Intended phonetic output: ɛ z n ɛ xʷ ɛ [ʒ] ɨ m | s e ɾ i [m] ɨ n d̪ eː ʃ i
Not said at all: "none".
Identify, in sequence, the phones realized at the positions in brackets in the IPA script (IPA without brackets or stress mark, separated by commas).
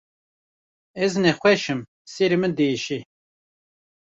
ʃ, m